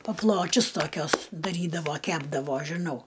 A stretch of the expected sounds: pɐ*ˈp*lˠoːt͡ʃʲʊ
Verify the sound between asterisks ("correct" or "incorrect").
correct